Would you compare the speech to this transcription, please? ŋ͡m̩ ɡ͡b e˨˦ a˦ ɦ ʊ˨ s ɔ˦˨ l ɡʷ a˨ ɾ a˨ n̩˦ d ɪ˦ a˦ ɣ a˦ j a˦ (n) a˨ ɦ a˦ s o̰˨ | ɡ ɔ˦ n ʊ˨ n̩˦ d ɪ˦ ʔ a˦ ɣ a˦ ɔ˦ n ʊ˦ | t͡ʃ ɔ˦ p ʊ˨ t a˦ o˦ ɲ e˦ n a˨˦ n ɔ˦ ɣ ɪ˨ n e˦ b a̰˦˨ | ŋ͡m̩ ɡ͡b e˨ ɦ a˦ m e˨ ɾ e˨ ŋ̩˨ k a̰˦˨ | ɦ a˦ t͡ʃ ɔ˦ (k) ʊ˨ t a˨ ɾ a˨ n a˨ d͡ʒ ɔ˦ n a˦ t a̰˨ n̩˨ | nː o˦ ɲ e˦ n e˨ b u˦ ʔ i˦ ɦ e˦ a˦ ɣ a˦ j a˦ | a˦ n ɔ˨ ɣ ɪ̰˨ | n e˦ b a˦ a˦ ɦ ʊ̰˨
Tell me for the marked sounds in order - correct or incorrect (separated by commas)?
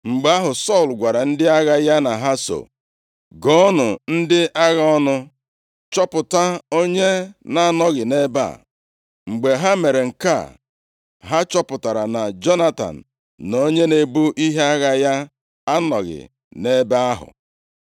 correct, incorrect